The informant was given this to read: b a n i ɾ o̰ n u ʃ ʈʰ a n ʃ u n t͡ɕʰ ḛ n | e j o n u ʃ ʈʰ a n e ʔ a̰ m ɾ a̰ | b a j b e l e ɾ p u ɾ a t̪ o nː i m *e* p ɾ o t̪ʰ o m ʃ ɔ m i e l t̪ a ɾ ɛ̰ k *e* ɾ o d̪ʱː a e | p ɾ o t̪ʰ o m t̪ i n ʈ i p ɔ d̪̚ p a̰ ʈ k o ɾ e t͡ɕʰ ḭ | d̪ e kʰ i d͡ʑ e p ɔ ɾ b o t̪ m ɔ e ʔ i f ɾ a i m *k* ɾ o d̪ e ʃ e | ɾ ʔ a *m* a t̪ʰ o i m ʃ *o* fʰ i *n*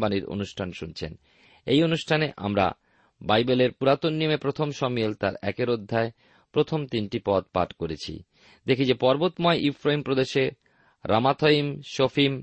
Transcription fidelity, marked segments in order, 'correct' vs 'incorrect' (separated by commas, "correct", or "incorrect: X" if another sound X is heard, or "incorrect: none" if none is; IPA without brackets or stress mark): correct, correct, incorrect: p, correct, correct, incorrect: m